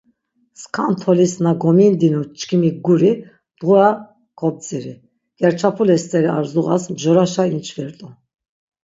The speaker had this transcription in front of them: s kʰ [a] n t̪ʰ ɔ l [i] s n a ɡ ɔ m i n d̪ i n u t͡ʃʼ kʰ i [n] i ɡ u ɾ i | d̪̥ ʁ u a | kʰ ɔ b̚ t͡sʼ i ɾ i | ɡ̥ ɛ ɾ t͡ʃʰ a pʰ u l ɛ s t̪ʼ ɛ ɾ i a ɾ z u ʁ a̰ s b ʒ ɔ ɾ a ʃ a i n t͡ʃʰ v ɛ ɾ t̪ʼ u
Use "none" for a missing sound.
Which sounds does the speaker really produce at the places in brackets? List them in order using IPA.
a, i, m

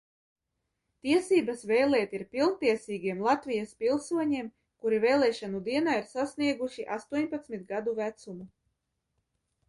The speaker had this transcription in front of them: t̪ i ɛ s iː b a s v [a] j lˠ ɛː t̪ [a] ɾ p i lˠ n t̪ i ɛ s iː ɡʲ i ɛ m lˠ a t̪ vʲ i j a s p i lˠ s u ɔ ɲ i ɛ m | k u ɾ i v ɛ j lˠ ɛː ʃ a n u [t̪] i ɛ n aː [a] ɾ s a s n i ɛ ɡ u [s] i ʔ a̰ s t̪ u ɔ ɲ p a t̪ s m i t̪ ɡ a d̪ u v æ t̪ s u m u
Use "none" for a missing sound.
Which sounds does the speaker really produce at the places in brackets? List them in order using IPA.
ɛ, i, d̪, i, ʃ

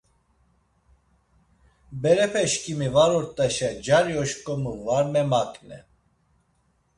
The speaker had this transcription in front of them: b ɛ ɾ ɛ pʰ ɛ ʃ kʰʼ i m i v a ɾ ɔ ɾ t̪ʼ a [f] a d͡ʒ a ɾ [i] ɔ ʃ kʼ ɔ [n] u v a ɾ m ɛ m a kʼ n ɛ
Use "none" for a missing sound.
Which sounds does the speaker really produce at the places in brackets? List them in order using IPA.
ʃ, j, m

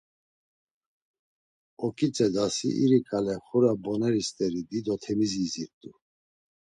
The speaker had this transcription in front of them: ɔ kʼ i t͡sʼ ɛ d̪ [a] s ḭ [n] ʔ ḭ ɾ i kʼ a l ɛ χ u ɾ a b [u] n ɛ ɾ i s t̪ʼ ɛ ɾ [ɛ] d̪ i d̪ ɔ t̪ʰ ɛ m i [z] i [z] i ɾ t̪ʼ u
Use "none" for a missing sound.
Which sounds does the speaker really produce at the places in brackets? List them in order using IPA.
a, none, ɔ, i, z, z

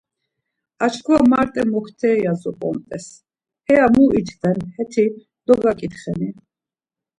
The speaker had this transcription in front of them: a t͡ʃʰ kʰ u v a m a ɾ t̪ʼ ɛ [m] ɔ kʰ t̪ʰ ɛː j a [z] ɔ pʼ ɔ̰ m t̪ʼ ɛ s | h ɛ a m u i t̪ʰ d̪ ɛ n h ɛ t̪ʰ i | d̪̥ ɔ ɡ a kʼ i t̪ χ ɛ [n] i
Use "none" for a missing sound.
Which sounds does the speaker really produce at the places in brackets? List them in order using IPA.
m, z, n

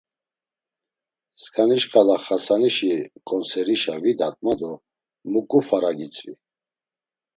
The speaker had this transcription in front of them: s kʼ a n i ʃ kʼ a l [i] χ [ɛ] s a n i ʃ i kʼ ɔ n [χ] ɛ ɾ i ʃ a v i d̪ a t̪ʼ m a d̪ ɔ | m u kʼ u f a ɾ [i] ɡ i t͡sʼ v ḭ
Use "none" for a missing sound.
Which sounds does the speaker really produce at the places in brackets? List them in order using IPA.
a, a, s, a

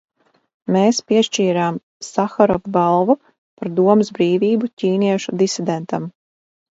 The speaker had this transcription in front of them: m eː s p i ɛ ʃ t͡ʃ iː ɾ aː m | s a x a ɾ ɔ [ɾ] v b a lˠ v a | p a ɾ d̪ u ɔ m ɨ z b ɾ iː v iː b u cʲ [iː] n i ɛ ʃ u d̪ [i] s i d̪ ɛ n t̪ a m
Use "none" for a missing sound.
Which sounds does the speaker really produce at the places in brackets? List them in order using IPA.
none, iː, i

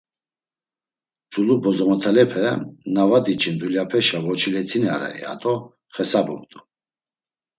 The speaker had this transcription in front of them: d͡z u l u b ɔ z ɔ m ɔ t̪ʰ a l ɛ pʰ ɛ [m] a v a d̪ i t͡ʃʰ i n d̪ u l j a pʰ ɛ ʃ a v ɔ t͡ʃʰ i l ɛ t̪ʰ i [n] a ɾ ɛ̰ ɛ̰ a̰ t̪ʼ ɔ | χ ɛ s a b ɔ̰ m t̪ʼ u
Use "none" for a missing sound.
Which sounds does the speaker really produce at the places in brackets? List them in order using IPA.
n, n

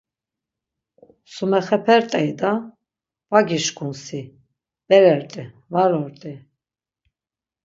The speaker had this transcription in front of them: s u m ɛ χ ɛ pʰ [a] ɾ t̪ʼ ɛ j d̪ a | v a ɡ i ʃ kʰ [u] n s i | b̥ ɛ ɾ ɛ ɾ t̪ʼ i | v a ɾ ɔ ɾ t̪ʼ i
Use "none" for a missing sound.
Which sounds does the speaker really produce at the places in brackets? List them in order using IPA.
ɛ, u

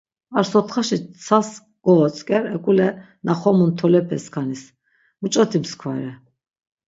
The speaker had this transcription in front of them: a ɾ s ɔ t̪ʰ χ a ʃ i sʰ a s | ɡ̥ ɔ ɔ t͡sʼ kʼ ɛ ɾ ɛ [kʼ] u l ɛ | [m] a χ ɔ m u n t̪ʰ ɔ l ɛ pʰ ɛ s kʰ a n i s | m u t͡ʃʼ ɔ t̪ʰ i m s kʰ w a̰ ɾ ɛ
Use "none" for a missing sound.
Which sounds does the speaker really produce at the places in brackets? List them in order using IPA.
kʼ, n

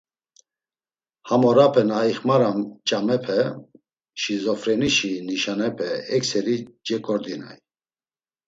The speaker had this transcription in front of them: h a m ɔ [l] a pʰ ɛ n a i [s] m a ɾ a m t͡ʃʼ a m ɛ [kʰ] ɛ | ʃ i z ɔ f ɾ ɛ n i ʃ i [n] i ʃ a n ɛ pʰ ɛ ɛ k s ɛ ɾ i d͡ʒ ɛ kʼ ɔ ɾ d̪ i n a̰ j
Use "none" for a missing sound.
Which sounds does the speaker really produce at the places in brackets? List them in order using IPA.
ɾ, χ, pʰ, n

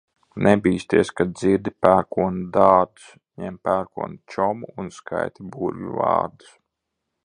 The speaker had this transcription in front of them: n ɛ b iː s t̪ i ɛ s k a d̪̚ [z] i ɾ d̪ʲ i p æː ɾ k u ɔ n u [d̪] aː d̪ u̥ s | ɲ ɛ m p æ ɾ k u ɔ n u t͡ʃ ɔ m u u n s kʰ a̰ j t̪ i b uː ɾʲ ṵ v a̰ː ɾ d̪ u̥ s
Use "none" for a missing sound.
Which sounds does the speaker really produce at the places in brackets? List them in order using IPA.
z, d̪

